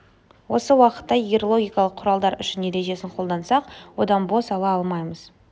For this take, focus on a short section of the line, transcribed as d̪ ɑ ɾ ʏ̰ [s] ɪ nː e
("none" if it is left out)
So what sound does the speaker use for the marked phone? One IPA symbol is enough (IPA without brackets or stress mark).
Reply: ʃ